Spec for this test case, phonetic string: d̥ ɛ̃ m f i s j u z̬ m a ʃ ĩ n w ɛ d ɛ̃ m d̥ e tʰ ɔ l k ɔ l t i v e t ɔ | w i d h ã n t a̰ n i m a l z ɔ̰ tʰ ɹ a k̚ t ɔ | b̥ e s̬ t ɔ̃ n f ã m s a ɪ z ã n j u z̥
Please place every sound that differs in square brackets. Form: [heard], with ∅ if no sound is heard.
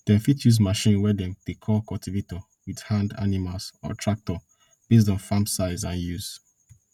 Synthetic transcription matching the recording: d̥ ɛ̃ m f i [t] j u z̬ m a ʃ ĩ n w ɛ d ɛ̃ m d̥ e [kʰ] ɔ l k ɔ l t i v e t ɔ | w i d h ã n [d] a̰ n i m a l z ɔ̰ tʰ ɹ a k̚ t ɔ | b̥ e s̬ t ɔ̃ n f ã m s a ɪ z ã n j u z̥